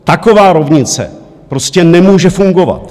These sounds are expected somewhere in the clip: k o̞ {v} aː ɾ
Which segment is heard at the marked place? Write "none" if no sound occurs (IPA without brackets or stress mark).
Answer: v